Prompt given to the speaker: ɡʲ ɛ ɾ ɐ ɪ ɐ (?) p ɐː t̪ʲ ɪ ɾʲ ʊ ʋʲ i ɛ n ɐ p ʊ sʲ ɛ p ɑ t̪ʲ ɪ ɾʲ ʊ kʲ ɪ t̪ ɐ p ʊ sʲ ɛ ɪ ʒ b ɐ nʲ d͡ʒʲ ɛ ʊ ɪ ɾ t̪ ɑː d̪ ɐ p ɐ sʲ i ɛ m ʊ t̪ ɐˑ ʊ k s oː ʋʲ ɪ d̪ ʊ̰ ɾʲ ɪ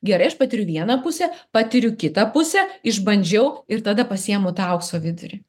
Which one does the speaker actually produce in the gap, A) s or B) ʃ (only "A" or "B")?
B